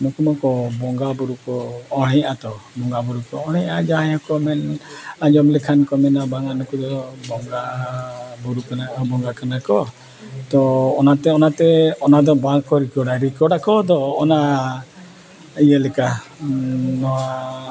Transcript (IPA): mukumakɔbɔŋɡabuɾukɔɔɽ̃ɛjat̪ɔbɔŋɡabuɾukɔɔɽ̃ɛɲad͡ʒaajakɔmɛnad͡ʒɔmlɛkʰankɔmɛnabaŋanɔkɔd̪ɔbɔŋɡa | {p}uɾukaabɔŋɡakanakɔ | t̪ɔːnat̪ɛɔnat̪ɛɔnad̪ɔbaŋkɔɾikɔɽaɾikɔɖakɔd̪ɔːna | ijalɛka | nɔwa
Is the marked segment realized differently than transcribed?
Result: yes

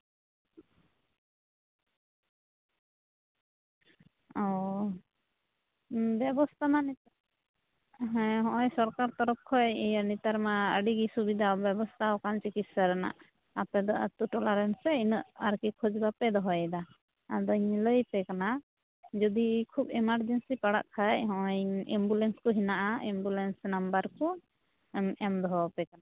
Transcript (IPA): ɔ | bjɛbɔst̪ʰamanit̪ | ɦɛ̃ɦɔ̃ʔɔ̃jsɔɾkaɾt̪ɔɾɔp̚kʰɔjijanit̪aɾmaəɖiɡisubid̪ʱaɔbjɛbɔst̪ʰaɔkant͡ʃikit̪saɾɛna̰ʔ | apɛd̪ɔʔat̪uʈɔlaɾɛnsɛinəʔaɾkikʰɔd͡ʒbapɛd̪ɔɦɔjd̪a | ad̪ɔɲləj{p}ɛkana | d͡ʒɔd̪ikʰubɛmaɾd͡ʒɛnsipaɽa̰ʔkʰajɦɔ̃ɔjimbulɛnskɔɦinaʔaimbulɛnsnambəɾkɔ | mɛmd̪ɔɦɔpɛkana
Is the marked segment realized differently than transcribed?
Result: no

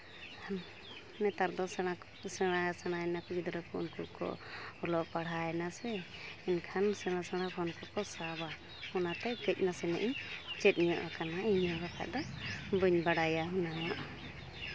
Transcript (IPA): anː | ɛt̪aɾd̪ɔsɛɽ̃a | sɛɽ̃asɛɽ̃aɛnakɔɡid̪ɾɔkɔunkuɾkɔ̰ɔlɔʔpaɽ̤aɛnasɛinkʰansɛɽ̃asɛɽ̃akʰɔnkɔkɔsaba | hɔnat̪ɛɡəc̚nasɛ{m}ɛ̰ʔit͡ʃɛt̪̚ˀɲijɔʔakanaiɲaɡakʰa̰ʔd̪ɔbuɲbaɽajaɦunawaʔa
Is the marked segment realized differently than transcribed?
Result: yes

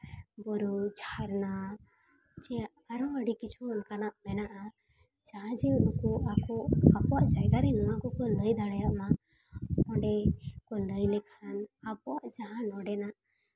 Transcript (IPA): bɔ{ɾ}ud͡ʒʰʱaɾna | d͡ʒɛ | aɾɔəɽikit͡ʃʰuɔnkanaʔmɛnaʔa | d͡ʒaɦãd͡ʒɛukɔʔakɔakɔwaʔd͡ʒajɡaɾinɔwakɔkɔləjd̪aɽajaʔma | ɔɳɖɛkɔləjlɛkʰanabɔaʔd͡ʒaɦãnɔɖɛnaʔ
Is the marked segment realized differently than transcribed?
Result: no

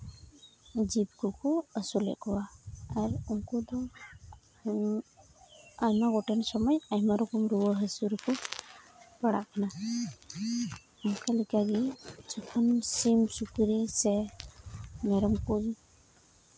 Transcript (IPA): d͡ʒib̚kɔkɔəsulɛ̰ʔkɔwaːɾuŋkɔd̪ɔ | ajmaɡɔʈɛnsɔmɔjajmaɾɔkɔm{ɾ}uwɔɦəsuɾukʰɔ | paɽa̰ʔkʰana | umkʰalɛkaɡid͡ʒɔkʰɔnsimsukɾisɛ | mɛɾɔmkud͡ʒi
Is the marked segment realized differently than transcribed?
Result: no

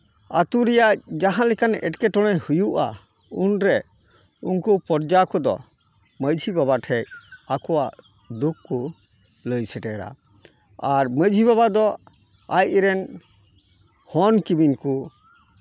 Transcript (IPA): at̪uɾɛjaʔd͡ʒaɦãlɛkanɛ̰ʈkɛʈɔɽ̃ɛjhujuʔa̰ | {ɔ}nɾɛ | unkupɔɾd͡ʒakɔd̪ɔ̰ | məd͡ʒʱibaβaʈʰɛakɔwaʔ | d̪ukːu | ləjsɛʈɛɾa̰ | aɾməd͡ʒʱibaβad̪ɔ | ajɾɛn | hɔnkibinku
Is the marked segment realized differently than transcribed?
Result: yes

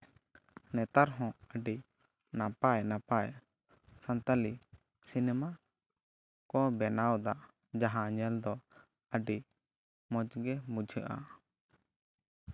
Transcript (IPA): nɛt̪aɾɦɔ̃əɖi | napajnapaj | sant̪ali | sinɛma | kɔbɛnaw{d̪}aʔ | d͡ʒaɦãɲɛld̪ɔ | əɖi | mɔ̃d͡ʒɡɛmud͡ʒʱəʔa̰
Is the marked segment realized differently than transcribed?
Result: no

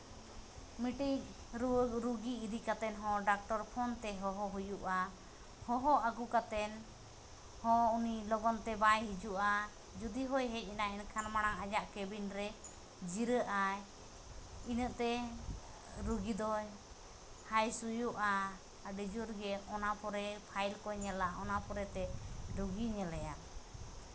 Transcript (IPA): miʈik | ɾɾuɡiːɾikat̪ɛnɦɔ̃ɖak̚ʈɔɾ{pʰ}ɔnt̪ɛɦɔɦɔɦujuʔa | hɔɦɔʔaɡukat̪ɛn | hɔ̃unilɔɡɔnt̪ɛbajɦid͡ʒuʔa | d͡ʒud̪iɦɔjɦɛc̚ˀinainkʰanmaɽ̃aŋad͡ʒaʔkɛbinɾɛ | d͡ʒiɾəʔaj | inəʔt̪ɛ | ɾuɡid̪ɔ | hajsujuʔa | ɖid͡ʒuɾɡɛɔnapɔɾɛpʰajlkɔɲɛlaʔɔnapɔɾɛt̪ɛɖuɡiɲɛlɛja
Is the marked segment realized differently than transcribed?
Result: no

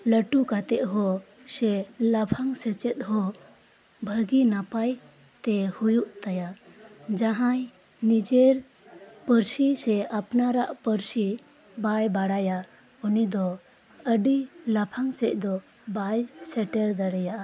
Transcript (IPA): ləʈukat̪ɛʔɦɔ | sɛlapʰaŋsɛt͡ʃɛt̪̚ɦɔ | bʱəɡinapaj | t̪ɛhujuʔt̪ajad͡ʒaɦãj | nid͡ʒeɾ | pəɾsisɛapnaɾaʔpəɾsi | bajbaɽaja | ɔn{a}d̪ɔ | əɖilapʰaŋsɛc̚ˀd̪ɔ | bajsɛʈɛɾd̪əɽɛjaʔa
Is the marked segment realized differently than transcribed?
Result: yes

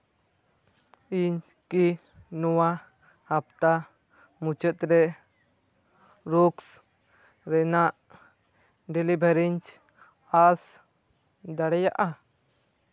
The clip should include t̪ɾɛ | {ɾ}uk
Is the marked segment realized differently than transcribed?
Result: no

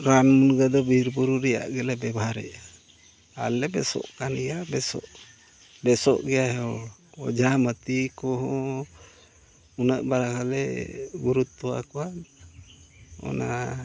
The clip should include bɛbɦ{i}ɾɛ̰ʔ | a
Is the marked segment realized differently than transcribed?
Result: yes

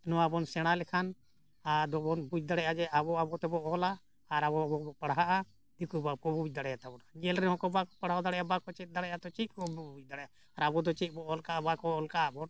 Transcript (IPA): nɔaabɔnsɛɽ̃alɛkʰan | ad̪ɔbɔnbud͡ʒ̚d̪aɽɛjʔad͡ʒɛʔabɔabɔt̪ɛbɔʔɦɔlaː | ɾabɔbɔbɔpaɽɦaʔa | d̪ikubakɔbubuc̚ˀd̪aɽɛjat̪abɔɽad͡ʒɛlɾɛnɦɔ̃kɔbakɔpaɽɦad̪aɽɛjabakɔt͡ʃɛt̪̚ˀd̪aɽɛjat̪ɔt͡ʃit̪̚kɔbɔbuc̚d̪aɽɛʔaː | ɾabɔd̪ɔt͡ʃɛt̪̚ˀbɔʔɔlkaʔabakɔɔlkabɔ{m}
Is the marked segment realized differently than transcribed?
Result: yes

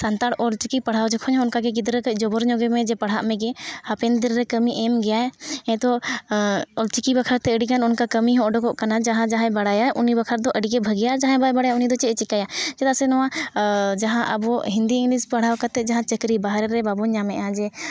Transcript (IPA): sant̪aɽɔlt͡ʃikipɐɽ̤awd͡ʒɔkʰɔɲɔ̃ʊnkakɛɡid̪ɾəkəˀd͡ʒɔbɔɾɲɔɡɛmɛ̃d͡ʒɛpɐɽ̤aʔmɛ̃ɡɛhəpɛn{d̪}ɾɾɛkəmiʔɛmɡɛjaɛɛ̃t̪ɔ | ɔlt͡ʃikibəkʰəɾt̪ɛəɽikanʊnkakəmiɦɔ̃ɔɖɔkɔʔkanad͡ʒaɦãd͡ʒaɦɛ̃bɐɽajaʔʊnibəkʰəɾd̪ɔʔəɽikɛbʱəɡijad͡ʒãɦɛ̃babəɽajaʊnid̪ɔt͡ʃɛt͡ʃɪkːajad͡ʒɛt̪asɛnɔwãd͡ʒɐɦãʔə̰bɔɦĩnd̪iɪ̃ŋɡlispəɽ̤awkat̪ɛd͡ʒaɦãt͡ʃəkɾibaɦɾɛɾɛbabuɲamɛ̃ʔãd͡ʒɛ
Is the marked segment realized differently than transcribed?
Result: no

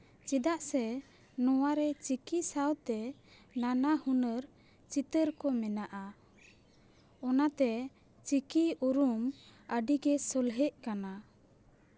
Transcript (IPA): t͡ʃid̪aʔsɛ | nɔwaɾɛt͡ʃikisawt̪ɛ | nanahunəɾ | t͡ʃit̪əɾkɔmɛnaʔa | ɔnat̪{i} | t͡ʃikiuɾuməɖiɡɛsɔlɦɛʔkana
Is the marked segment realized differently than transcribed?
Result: yes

